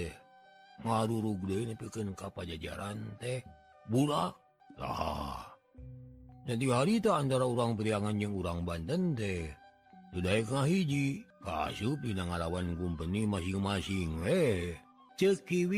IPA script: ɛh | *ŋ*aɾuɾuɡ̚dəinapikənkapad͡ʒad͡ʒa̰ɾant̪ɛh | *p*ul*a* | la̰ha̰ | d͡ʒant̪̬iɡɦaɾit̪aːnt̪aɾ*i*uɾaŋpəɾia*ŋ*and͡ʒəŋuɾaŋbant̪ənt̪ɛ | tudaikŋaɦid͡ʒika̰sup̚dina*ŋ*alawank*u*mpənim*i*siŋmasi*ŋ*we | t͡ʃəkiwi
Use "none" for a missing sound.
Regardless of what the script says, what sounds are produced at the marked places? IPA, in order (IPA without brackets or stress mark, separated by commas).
ŋ, b, a, a, ŋ, ŋ, u, a, ŋ